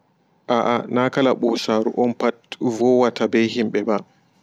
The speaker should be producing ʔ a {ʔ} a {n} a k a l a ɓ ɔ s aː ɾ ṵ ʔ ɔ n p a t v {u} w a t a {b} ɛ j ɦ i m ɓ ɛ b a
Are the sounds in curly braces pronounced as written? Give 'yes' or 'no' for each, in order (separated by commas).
yes, yes, no, yes